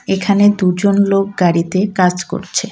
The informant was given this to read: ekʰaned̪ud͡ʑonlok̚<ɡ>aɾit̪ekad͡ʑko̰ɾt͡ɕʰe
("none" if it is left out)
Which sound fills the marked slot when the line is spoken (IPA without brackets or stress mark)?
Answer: ɡ